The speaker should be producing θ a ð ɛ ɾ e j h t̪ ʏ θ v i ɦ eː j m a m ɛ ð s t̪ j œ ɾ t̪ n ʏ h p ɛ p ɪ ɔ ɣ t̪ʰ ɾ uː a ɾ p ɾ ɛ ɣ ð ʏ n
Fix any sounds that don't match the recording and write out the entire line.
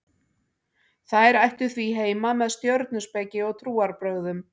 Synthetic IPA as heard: θ a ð ɛ ɾ a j h t̪ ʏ θ v i ɦ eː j m a m ɛ ð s t̪ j œ ɾ t̪ n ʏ s p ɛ c ɪ ɔ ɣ t̪ʰ ɾ uː a ɾ p ɾ œ ɣ ð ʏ m